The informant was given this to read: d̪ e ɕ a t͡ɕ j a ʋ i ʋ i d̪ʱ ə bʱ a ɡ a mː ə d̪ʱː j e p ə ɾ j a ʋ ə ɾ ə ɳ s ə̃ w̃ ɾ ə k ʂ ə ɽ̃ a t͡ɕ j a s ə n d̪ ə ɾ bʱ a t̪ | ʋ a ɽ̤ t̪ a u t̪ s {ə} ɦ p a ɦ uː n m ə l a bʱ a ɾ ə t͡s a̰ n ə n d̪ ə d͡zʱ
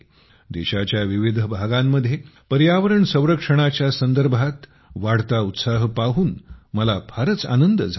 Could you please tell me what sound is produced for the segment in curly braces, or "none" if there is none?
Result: a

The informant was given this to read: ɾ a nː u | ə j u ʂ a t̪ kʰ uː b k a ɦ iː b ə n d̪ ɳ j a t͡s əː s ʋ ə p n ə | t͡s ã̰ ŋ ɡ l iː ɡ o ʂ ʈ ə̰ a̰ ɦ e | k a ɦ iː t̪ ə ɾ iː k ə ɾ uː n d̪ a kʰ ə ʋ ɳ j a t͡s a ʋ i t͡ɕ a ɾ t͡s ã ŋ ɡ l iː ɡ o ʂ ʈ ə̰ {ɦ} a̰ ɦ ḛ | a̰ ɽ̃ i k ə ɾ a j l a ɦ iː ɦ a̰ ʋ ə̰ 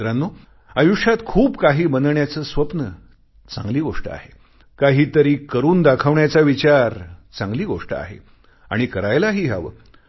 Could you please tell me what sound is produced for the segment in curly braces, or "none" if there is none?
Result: none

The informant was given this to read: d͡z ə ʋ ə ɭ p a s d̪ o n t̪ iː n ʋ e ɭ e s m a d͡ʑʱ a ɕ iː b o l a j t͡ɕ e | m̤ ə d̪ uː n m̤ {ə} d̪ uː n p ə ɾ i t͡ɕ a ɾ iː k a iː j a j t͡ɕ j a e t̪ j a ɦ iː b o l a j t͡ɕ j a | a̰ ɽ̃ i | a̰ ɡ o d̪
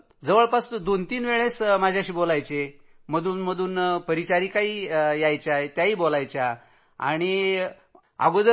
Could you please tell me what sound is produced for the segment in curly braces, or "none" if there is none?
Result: ə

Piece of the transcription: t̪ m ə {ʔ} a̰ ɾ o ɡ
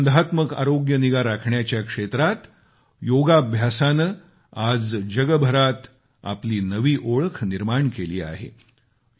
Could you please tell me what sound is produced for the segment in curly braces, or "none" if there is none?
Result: k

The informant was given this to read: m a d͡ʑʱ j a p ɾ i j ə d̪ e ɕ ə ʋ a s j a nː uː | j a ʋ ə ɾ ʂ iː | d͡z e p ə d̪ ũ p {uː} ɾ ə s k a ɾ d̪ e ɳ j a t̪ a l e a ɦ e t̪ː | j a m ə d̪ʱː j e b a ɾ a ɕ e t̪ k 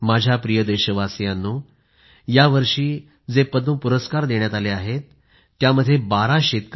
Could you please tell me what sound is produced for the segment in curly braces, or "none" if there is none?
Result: u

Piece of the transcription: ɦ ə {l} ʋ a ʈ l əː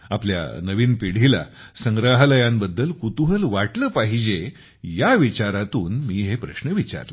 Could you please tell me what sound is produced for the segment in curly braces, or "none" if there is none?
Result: l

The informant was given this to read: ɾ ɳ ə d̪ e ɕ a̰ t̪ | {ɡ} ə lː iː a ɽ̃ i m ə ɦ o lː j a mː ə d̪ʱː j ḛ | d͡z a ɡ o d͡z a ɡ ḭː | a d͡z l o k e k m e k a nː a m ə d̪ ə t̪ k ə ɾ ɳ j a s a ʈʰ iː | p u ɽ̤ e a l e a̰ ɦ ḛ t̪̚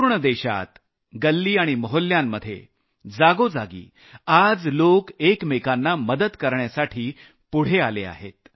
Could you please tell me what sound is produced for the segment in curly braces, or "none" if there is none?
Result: ɡ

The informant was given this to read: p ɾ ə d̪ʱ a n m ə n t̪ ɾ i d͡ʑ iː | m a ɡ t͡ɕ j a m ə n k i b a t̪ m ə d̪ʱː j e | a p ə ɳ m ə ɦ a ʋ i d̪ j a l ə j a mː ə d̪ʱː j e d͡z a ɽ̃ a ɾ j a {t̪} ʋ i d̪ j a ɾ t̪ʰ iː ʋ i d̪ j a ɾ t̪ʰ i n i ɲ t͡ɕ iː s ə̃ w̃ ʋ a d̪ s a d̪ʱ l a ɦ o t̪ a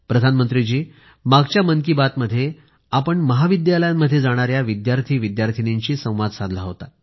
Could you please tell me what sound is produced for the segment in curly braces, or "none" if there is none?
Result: none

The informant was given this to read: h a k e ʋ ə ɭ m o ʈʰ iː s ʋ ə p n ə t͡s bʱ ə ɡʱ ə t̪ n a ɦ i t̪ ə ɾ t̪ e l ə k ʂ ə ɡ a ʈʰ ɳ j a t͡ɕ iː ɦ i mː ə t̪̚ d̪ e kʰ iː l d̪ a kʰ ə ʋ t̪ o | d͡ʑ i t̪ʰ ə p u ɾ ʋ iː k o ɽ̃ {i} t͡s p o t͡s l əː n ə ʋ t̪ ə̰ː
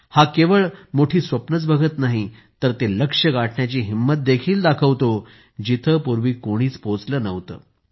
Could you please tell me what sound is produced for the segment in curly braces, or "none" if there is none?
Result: iː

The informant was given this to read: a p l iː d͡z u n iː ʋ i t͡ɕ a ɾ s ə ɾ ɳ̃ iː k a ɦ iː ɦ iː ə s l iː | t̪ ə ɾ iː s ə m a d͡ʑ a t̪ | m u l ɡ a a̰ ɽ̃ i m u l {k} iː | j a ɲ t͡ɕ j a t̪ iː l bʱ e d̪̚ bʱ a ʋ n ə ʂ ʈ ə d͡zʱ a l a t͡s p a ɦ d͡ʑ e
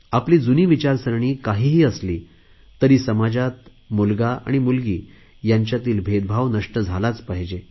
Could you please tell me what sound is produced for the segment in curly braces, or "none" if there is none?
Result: ɡ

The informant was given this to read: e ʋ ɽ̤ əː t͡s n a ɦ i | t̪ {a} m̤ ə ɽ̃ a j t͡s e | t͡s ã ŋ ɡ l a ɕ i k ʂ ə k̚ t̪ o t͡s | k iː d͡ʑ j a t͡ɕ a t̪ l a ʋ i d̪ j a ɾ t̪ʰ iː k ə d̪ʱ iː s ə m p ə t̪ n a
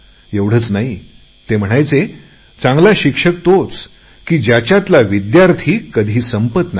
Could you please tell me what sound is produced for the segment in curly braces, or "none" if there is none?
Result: e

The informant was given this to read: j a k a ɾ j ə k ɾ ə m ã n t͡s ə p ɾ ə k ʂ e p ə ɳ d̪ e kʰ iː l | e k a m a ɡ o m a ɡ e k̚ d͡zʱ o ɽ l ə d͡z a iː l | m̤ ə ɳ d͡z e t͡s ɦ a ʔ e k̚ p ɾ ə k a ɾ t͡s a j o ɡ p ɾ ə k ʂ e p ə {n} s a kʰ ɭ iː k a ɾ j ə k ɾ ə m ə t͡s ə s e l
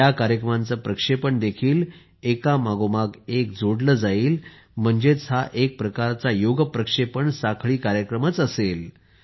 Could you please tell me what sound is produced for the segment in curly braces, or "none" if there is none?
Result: ɳ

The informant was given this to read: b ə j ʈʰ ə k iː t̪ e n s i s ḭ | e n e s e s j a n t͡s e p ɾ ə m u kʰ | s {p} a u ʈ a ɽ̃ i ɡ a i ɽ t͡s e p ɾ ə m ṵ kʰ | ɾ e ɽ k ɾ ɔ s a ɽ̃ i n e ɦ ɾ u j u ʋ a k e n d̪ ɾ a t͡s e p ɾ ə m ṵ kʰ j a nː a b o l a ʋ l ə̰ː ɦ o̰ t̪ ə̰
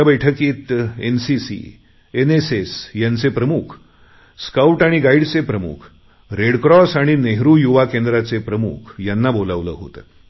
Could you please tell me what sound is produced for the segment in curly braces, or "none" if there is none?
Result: k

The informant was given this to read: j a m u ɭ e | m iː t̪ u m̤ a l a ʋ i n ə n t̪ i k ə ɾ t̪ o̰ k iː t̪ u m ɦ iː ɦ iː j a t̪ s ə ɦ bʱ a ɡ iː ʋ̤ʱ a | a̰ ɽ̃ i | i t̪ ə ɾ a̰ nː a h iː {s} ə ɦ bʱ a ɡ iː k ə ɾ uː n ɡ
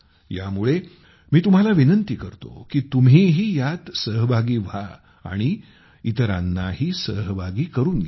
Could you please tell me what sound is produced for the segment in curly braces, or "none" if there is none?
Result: s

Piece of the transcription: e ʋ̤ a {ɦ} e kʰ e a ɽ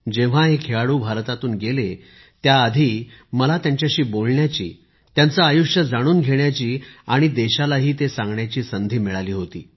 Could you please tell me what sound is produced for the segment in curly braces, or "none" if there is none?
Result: ɦ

